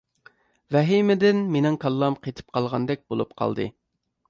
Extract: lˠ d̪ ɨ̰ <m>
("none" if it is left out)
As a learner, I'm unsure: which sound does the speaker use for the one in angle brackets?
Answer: none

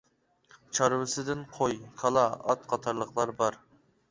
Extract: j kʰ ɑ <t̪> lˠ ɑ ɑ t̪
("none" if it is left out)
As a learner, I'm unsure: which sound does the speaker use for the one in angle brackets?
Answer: none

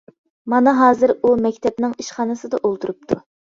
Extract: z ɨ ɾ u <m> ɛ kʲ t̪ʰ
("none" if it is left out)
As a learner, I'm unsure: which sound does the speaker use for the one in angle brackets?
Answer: m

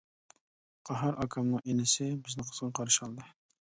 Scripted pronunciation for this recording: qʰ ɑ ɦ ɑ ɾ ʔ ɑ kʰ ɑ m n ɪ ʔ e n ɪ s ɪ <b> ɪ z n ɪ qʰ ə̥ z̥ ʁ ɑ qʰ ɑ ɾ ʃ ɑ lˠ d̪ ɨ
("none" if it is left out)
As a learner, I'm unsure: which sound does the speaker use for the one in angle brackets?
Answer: b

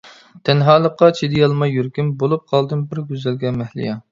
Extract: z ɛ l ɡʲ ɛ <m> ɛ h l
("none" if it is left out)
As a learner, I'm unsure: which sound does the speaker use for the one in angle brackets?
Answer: m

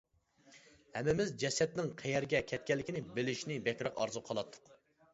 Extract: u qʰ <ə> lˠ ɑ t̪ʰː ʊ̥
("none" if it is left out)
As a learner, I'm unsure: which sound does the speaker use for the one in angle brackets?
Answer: ɑ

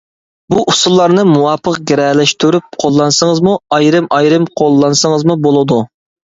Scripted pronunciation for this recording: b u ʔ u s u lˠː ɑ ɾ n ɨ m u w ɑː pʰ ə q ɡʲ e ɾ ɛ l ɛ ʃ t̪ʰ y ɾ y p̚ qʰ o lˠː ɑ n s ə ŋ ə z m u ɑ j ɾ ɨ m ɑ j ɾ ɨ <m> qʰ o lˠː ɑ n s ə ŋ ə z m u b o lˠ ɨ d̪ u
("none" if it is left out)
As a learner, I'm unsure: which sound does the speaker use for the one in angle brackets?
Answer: m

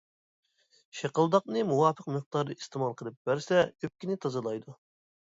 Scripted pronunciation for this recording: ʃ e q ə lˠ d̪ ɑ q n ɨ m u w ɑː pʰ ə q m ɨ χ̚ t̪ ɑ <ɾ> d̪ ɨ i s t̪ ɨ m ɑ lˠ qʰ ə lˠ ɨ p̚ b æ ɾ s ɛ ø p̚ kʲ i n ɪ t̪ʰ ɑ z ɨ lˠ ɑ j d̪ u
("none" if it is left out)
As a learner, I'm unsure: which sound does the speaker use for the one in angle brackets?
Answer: ɾ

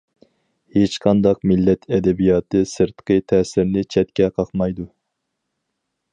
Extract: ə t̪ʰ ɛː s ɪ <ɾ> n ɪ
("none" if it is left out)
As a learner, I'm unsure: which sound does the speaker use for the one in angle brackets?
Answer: ɾ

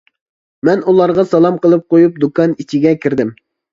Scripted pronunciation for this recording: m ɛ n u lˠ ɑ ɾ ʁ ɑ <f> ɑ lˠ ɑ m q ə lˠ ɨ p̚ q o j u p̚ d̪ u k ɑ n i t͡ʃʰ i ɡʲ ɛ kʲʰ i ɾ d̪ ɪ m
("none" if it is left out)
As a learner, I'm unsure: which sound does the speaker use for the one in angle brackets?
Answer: s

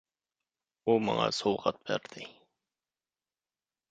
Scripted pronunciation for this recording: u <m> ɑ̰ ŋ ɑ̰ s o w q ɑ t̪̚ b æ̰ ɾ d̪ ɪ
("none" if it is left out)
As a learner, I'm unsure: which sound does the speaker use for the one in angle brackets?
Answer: m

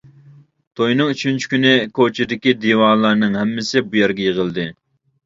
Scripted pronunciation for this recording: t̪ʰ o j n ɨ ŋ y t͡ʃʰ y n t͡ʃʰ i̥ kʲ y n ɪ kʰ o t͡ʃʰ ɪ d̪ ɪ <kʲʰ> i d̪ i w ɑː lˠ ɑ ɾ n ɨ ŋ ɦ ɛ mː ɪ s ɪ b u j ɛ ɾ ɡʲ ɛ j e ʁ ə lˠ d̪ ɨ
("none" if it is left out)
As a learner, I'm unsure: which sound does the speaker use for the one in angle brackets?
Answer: kʲ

